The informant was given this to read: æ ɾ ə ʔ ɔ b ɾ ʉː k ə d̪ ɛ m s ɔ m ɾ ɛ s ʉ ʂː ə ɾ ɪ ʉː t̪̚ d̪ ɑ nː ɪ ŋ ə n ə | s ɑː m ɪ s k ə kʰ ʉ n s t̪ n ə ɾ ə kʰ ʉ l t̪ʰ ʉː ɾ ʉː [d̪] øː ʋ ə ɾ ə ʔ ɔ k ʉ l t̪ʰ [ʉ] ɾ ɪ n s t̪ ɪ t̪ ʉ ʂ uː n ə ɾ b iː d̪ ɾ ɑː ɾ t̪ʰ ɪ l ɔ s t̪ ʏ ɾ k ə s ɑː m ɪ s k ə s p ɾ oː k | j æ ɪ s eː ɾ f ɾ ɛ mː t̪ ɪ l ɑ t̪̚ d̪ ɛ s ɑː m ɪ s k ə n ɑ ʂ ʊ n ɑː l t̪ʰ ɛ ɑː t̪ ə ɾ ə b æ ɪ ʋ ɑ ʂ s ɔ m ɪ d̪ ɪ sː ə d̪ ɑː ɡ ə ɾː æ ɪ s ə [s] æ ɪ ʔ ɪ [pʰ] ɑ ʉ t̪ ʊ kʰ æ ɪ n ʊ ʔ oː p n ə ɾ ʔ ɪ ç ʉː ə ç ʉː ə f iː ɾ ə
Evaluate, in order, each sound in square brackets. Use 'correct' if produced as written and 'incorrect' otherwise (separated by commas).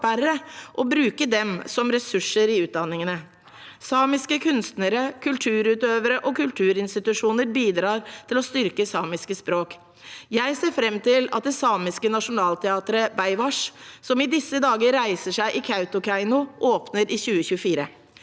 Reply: incorrect, incorrect, incorrect, incorrect